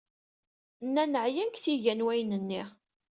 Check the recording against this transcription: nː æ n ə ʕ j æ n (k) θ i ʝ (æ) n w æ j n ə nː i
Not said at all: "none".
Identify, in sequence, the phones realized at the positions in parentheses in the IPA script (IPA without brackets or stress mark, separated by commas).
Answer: k, æ